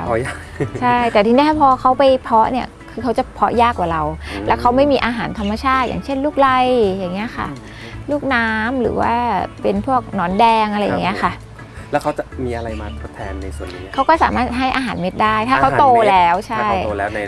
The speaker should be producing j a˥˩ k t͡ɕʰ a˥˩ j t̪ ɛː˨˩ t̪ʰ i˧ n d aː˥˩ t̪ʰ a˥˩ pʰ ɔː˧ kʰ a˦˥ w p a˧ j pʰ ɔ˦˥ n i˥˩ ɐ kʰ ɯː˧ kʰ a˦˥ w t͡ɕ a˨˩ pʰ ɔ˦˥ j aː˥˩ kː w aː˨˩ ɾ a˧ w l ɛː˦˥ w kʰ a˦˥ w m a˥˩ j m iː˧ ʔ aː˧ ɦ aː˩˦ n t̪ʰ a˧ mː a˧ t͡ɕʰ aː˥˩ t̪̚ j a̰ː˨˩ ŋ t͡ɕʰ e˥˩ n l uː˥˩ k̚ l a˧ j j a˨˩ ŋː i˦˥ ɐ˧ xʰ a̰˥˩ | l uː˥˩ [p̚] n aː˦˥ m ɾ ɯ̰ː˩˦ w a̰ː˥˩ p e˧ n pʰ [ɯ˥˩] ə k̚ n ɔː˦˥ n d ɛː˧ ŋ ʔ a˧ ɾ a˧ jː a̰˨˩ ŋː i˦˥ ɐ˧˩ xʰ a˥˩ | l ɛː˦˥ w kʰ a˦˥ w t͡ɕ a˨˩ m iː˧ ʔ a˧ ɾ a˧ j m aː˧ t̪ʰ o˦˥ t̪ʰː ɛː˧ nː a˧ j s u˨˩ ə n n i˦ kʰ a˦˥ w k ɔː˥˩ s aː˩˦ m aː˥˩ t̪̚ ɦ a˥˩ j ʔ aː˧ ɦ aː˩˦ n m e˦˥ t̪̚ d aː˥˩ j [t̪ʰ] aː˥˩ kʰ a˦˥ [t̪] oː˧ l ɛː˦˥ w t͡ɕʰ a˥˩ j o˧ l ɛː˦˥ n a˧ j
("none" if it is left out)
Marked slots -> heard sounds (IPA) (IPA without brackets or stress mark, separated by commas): k̚, u˥˩, t̪ʰ, t̪